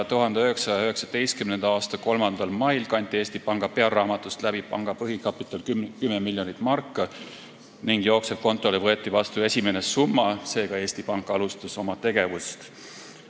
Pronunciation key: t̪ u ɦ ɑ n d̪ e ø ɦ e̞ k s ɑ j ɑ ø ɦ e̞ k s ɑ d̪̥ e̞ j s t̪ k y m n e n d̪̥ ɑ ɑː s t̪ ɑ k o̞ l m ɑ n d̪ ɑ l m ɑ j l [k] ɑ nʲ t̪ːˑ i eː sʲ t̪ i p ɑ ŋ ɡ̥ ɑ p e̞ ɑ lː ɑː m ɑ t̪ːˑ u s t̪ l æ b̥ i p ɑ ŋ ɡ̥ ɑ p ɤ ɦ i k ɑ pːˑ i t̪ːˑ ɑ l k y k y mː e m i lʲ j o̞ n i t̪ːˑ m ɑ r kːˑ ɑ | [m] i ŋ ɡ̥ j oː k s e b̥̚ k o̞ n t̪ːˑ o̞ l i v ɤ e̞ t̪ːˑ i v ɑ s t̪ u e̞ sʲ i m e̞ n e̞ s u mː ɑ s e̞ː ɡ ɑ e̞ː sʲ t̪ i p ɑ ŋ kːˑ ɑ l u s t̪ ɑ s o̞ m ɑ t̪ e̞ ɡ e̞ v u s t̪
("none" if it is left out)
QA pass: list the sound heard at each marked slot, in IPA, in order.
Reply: k, n

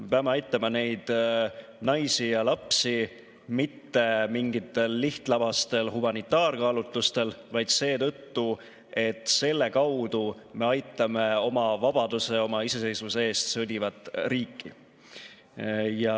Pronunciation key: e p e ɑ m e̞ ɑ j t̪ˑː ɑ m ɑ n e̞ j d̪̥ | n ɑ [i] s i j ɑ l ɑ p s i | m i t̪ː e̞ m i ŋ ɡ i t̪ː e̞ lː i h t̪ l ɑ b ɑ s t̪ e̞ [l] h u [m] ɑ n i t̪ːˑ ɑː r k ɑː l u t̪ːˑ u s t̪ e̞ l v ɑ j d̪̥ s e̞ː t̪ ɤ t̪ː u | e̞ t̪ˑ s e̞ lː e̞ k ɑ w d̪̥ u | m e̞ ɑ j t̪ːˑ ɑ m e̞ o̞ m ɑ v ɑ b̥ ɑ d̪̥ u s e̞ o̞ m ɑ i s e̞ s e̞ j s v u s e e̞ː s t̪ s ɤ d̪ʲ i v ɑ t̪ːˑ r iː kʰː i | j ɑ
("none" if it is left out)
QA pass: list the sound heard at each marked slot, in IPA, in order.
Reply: j, l, m

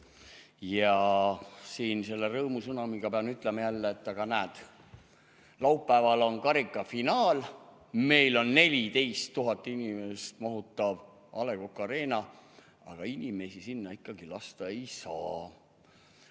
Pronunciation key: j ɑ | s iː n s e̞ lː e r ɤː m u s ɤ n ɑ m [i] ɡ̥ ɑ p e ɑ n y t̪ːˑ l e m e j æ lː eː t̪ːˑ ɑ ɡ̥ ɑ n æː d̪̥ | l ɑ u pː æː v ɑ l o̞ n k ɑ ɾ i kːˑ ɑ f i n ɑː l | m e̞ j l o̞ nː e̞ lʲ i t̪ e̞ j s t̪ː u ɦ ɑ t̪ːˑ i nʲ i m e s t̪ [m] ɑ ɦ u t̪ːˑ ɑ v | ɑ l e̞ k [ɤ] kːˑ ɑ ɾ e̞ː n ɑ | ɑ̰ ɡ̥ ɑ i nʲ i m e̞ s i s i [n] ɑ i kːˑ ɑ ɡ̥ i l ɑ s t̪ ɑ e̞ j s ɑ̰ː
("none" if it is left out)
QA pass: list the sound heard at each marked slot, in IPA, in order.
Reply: i, m, o, nː

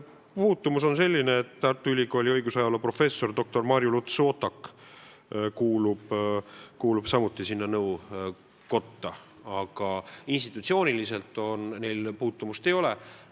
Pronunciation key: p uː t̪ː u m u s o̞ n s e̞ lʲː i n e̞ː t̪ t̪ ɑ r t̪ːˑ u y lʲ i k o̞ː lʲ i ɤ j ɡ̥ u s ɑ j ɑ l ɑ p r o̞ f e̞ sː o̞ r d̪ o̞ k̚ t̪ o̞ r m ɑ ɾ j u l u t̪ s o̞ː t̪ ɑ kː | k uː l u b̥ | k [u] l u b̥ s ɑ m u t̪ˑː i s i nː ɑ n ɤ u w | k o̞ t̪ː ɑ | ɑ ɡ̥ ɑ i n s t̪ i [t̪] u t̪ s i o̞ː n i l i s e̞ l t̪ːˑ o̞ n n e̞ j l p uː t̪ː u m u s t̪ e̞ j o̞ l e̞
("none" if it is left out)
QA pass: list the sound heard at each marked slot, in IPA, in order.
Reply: uː, t̪

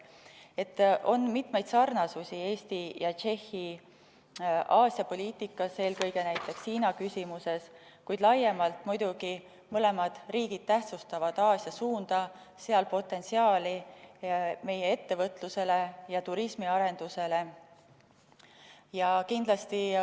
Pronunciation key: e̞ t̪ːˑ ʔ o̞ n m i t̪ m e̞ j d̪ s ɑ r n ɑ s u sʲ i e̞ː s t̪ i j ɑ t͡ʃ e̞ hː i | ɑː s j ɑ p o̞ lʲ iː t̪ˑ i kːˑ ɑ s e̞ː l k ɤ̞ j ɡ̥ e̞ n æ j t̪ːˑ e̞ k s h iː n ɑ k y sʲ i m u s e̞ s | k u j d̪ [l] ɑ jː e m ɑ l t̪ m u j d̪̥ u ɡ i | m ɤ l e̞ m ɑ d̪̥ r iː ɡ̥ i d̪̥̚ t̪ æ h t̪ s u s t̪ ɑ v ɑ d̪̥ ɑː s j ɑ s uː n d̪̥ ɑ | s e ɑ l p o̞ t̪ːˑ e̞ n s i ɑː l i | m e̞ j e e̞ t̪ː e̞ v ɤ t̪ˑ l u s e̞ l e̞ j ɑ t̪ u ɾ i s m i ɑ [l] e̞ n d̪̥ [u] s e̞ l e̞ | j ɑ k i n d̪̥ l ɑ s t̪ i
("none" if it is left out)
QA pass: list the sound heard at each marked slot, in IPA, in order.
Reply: l, ɾ, u

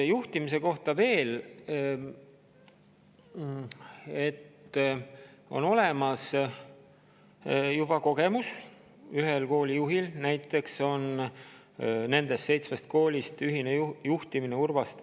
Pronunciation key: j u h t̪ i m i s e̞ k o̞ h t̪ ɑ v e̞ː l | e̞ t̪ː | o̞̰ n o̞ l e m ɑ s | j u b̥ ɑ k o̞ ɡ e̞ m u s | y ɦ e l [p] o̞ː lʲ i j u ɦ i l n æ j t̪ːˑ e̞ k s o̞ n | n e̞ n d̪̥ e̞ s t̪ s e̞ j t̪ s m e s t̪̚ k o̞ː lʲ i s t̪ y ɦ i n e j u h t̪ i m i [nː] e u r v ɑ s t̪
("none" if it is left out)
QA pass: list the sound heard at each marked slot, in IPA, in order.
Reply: k, n

